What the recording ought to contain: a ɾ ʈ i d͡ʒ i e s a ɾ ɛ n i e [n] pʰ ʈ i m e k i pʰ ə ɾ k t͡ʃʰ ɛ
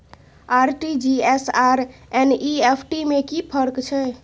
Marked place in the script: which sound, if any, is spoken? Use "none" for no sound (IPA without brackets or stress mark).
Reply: none